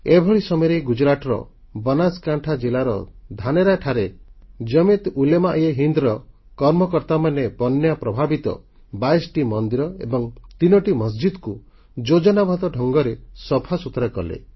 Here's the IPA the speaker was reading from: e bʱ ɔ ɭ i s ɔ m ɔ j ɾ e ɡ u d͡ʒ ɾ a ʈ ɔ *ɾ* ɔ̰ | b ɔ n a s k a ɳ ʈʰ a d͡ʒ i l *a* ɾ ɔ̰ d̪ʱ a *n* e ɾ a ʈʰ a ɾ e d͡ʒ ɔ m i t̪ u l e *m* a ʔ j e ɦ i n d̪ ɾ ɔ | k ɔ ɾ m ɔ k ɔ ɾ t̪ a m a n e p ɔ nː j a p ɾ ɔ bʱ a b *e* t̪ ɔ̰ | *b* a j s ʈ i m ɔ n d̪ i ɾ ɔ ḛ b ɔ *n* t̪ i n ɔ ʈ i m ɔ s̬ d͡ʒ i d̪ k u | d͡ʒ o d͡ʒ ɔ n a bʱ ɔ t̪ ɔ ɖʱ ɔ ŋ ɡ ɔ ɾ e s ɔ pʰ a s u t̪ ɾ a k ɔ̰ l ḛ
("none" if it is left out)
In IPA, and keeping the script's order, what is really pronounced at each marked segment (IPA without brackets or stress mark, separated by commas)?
ɾ, a, n, m, i, b, ŋ